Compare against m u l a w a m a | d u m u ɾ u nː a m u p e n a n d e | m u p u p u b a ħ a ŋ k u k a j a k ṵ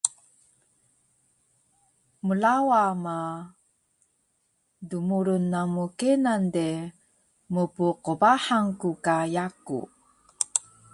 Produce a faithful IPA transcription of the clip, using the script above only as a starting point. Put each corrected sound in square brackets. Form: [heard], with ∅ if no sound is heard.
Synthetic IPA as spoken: m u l a w a m a | d u m u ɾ u nː a m u [k] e n a n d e | m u p u [q] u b a ħ a ŋ k u k a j a k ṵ